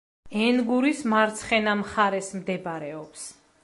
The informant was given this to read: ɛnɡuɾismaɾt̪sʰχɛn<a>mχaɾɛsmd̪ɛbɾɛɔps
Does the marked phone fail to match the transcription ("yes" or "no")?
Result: no